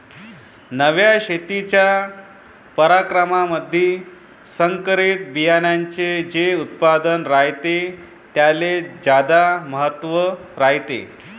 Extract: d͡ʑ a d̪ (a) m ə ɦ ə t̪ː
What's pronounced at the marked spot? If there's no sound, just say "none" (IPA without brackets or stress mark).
a